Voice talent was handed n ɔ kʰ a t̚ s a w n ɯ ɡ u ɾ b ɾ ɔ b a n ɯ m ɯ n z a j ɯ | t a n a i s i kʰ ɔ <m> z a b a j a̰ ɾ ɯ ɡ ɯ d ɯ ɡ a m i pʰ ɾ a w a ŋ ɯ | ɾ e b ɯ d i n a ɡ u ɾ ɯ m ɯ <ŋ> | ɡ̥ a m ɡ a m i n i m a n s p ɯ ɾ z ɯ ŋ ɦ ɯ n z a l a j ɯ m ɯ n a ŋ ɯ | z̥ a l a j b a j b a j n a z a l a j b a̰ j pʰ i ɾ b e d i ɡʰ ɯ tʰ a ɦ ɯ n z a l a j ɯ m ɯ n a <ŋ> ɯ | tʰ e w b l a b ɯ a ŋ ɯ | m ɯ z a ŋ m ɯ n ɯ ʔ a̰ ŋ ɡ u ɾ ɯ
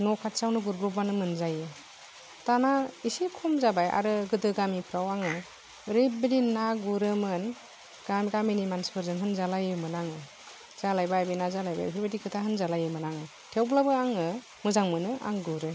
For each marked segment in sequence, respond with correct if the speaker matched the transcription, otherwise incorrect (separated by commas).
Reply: correct, incorrect, correct